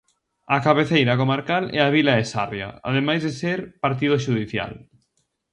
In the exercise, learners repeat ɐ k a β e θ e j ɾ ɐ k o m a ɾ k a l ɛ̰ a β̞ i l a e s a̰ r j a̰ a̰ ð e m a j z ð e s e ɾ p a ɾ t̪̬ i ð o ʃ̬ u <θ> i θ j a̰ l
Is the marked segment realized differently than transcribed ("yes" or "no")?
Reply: yes